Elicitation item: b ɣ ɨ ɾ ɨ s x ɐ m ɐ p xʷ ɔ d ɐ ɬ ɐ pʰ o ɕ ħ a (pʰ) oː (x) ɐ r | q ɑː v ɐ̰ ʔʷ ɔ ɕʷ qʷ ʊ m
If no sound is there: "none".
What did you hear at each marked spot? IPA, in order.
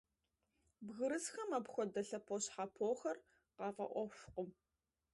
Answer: pʰ, x

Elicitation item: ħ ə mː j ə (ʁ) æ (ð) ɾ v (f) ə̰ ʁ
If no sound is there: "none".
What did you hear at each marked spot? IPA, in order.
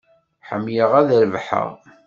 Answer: ʁ, ð, ħ

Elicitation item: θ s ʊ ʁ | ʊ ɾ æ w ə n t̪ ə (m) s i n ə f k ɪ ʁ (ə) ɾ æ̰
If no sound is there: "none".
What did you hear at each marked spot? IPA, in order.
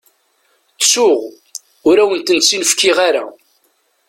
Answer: n, a

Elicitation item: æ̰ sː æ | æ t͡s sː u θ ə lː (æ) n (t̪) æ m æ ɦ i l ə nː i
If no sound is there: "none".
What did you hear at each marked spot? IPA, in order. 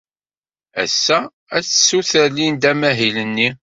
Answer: i, d̪

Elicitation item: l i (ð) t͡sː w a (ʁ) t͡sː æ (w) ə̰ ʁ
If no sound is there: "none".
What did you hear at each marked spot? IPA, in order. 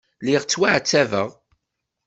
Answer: ʁ, ʕ, v

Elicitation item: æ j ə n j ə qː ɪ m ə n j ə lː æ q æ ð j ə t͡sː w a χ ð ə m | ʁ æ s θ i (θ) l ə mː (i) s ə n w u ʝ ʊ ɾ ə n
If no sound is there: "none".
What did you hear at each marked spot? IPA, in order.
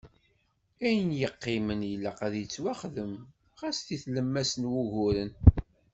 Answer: θ, æ

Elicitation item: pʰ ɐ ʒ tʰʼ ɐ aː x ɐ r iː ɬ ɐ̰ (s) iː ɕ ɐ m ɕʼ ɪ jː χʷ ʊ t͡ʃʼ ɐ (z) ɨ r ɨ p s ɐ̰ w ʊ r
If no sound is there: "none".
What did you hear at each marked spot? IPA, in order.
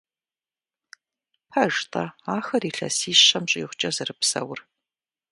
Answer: s, z

